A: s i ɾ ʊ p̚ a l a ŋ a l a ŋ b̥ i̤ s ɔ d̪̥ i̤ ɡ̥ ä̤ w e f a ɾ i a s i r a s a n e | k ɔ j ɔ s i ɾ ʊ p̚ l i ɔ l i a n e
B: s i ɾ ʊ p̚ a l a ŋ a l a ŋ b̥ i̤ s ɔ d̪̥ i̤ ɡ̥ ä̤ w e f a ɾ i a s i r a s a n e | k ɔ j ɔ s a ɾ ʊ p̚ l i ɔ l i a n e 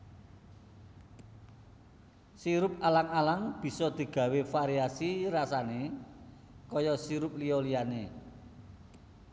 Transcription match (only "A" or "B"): A